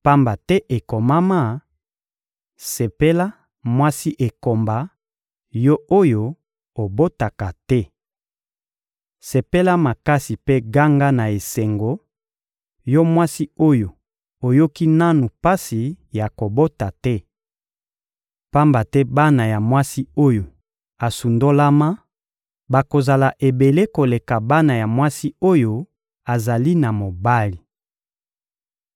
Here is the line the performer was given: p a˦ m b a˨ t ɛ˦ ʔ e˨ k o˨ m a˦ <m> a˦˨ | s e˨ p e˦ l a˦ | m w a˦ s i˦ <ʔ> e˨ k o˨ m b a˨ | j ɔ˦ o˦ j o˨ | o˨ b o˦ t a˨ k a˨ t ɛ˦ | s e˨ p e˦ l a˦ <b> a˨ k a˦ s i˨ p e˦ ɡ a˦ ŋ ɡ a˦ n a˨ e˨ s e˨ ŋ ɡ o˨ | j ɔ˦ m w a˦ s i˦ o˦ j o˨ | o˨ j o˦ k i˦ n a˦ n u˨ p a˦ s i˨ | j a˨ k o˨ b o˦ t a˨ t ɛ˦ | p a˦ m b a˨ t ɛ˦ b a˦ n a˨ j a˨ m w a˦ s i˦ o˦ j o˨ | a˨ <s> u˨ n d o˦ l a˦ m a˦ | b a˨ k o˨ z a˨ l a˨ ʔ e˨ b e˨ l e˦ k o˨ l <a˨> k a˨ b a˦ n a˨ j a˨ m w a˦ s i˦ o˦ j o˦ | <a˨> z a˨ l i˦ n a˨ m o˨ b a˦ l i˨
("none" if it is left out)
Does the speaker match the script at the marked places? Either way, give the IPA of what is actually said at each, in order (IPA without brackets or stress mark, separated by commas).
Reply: m, ʔ, m, s, e˨, a˨